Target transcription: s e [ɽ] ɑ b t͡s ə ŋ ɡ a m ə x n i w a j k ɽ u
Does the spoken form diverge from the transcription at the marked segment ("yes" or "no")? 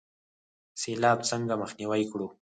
yes